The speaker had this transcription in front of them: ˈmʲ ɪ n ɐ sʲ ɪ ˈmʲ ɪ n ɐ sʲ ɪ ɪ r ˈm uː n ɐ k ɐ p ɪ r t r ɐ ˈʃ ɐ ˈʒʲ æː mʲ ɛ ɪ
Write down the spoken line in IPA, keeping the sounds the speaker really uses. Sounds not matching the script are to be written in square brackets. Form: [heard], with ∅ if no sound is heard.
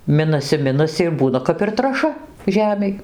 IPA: ˈmʲ ɪ n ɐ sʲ ɪ ˈmʲ ɪ n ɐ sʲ ɪ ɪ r [ˈb] uː n ɐ k ɐ p ɪ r t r ɐ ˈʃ ɐ ˈʒʲ æː mʲ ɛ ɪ